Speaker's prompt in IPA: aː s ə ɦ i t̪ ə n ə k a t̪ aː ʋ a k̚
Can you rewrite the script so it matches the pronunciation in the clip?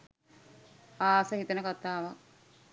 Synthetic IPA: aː s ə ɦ i t̪ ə n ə k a t̪ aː ʋ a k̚